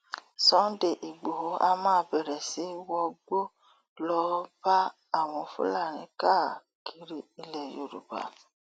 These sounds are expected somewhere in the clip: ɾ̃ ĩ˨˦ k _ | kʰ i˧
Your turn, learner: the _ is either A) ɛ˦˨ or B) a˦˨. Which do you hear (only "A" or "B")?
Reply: B